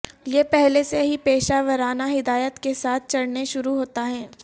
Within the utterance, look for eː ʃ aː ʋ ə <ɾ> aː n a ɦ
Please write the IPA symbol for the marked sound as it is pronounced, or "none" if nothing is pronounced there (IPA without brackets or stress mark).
ɾ